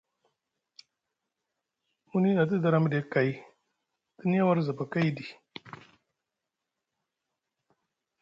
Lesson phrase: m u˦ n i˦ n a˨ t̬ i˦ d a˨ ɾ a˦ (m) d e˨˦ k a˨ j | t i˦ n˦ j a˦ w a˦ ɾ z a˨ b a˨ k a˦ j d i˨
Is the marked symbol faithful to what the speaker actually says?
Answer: yes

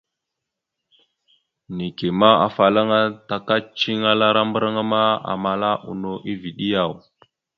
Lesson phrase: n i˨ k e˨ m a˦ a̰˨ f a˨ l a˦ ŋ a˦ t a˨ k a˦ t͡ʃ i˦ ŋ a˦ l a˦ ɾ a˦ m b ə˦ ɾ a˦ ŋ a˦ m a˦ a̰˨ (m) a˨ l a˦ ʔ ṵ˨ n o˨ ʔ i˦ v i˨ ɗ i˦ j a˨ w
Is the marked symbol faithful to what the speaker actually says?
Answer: yes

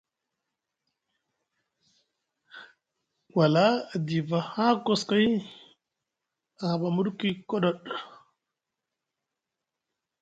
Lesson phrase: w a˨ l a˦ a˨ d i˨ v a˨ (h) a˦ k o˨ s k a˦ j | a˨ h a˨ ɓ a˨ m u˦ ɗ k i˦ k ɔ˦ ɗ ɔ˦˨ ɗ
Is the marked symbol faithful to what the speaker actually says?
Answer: yes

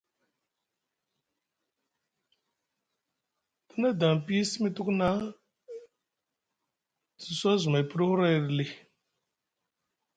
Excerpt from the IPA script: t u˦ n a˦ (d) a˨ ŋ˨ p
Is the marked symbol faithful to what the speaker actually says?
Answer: yes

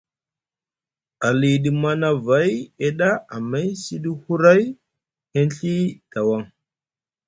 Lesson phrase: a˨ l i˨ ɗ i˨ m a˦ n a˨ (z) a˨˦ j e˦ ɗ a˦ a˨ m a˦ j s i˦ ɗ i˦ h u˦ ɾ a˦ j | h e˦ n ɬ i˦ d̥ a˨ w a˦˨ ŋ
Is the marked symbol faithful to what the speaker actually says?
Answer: no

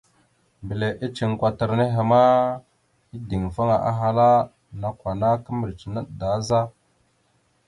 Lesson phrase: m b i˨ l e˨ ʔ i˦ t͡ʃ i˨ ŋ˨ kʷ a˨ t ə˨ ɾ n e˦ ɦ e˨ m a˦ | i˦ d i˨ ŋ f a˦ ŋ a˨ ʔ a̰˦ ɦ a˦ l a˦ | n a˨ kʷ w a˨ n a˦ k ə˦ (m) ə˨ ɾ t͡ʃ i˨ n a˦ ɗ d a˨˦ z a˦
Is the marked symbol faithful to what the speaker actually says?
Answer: yes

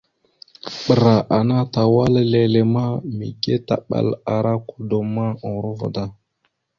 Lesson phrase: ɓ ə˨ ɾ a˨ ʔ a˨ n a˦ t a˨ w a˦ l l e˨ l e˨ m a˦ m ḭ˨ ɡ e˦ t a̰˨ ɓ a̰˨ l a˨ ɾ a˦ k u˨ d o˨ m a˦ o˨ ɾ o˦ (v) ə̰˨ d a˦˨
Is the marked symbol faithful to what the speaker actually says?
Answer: yes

